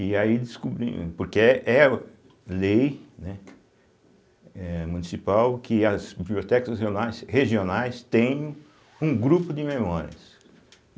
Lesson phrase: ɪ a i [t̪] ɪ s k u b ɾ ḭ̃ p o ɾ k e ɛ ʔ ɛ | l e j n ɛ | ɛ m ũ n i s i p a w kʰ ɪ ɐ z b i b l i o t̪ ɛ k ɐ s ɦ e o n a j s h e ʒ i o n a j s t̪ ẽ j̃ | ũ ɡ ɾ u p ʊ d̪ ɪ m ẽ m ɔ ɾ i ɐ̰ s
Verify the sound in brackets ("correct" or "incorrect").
incorrect